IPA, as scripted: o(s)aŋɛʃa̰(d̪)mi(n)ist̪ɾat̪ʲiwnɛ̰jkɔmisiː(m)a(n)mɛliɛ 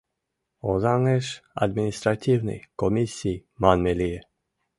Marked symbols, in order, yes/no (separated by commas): no, yes, yes, yes, yes